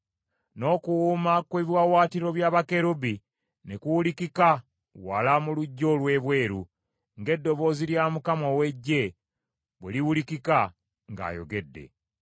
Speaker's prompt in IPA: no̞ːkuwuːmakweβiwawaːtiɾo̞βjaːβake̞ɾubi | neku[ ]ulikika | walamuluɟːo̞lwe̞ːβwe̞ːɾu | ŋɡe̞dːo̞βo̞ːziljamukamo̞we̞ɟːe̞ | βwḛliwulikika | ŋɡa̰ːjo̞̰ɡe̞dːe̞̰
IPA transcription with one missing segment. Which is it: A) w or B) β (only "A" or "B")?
A